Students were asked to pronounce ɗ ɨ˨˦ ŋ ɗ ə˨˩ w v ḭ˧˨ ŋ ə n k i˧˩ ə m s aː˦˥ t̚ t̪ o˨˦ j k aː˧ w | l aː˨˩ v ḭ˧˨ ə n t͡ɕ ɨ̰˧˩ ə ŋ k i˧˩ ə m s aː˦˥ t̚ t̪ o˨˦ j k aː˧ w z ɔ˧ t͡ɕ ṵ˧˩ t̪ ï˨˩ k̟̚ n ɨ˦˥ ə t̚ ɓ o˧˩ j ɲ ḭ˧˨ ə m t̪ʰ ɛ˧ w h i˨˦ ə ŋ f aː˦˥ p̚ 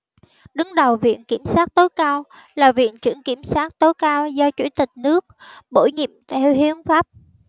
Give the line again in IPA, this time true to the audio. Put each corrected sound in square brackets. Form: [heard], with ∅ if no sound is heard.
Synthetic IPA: ɗ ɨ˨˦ ŋ ɗ ə˨˩ w v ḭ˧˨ [∅] ə n k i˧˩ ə m s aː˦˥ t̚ t̪ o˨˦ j k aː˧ w | l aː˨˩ v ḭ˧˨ ə n t͡ɕ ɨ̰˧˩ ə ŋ k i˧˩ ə m s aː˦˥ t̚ t̪ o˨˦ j k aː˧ w z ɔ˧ t͡ɕ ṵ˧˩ t̪ ï˨˩ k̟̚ n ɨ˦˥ ə [k̚] ɓ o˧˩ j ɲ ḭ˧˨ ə m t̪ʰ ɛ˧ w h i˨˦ ə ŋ f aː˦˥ p̚